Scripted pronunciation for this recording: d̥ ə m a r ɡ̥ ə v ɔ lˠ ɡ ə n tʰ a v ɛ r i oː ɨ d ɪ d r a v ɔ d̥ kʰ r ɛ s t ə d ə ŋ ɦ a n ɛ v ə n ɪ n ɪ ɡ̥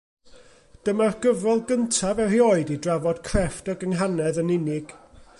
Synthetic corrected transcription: d̥ ə m a r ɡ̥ ə v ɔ lˠ ɡ ə n tʰ a v ɛ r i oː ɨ d i d r a v ɔ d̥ kʰ r ɛ f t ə ɡ ə ŋ ɦ a n ɛ ð ə n ɪ n ɪ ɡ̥